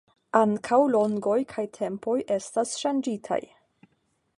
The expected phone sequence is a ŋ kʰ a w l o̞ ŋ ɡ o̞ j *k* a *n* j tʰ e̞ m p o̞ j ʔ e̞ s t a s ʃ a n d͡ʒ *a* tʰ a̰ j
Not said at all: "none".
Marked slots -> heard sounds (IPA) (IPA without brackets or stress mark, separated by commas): kʰ, none, i